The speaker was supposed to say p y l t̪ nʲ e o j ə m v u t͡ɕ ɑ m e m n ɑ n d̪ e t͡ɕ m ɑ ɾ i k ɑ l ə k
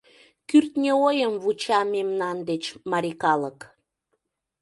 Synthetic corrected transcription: k y r t̪ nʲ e o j ə m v u t͡ɕ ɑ m e m n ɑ n d̪ e t͡ɕ m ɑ ɾ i k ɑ l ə k